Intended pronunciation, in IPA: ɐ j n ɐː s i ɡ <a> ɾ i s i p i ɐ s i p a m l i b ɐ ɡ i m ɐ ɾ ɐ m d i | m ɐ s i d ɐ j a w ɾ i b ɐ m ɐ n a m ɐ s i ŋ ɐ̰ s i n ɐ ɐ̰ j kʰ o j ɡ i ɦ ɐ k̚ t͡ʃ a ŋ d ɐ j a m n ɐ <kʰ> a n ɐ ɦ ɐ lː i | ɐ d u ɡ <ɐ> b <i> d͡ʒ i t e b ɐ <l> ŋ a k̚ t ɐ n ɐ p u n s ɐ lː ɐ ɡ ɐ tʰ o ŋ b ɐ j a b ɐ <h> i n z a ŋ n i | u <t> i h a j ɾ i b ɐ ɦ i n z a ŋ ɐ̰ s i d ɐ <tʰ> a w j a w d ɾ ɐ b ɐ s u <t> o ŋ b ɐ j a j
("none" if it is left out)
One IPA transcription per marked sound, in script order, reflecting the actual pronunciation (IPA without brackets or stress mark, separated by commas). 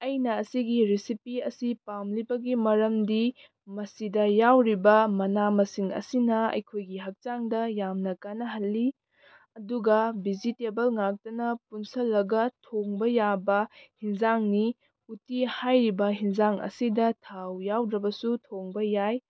i, k, ɐ, i, l, h, t, tʰ, tʰ